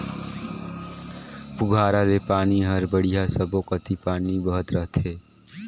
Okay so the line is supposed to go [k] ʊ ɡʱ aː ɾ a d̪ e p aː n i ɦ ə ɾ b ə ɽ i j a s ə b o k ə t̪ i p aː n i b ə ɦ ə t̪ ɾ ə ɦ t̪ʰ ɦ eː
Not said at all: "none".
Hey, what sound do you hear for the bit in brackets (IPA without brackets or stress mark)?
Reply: p